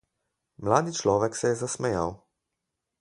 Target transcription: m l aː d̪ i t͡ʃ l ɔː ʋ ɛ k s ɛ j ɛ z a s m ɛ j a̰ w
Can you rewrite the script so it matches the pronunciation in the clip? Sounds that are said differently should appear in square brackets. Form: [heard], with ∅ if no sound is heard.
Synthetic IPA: m l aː d̪ i t͡ʃ l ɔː ʋ ɛ k s ɛ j ɛ z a s m ɛ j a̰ w